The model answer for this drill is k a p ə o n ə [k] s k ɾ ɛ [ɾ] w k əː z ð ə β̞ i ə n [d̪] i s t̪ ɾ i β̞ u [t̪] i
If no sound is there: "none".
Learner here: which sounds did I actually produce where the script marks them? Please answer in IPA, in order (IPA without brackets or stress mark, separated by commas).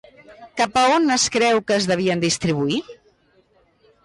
none, none, d̪, none